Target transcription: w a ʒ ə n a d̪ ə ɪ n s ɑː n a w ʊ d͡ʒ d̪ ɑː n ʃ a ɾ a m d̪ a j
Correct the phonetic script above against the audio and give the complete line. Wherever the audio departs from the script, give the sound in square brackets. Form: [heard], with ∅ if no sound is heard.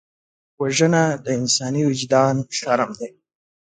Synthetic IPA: w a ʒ ə n a d̪ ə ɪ n s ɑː n [i] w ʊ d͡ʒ d̪ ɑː n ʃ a ɾ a m d̪ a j

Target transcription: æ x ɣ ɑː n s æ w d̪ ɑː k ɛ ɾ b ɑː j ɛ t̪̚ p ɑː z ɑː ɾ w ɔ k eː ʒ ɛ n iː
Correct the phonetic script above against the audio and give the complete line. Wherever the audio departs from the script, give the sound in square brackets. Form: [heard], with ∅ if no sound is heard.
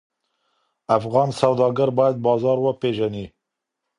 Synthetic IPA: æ [f] ɣ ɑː n s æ w d̪ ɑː [ɡ] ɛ ɾ b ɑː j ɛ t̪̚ [b] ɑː z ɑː ɾ w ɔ [p] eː ʒ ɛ n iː

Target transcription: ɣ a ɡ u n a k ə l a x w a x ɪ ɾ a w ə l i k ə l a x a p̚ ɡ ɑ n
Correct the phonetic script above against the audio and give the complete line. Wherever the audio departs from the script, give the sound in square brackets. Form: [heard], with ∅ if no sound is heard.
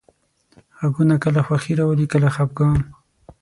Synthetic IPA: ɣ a ɡ u n a k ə l a x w a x [i] ɾ a w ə l i k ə l a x a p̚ ɡ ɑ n

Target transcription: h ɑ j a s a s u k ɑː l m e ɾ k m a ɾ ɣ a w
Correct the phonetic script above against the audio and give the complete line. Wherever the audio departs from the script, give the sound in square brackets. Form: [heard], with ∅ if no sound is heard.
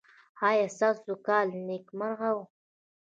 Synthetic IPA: h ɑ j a s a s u k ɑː l [n] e [∅] k m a ɾ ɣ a w

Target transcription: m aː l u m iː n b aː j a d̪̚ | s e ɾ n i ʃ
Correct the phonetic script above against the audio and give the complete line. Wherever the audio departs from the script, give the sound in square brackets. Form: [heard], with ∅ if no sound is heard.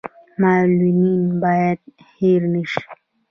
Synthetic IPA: m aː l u m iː n b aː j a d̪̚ | [h] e ɾ n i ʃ

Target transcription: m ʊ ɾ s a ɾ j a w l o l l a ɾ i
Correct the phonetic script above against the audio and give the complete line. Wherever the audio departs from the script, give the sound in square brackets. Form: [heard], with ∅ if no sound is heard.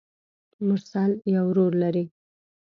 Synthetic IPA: m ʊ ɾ s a [l] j a w [ɾ] o [ɾ] l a ɾ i

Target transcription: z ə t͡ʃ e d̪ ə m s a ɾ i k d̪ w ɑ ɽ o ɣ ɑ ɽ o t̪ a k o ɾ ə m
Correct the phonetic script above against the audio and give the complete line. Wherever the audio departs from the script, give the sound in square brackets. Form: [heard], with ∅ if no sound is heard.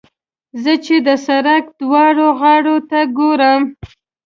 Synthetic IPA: z ə t͡ʃ e d̪ ə [∅] s a ɾ [a] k d̪ w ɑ ɽ o ɣ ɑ ɽ o t̪ a [ɡ] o ɾ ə m

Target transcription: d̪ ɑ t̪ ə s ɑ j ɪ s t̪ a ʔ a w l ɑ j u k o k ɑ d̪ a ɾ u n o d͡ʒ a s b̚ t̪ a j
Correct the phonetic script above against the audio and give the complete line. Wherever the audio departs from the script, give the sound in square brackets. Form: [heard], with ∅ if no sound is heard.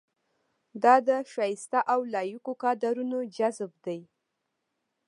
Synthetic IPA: d̪ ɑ [d̪] ə [ʃ] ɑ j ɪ s t̪ a ʔ a w l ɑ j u k o k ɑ d̪ a ɾ u n o d͡ʒ a [z] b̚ [d̪] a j

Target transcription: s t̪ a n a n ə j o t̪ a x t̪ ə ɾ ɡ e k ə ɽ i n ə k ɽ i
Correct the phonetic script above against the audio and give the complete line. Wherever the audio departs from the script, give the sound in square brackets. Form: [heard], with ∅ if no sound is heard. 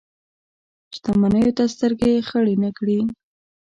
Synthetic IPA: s t̪ a [m] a n ə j o t̪ a [s] t̪ ə ɾ ɡ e [x] ə ɽ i n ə k ɽ i

